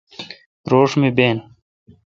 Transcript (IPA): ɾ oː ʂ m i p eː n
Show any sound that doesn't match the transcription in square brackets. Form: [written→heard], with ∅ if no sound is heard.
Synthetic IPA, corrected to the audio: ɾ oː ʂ m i [p→b] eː n